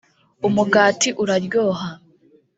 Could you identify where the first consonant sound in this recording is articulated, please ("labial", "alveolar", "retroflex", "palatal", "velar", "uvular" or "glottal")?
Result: labial